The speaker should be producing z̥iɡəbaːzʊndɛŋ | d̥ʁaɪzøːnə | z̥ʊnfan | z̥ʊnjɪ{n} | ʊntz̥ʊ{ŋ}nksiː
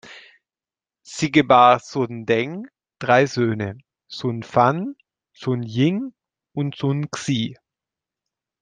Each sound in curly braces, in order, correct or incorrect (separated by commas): incorrect, incorrect